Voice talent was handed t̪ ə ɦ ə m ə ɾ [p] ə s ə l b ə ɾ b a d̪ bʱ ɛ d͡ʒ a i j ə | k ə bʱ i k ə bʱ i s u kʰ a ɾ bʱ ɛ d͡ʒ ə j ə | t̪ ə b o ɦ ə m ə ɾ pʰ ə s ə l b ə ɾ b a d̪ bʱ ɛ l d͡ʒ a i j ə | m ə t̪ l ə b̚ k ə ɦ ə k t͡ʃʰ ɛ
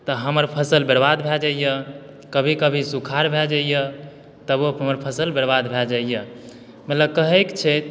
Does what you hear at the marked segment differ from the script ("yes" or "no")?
yes